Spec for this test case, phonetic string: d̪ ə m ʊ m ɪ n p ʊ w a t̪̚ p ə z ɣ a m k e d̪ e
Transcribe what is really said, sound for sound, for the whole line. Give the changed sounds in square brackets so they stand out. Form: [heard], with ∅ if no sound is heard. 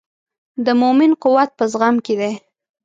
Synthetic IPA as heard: d̪ ə m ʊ m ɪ n [q] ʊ w a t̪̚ p ə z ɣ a m k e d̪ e